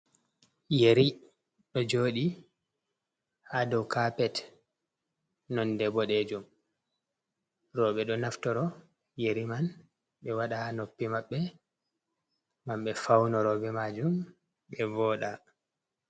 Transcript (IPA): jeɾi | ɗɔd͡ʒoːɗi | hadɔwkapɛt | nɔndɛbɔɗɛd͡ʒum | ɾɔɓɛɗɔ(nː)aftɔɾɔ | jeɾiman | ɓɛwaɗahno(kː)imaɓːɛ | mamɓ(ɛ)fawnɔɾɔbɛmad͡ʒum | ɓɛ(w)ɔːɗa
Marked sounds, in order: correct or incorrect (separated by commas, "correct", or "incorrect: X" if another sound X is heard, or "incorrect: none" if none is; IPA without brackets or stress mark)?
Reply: incorrect: n, incorrect: pː, correct, incorrect: v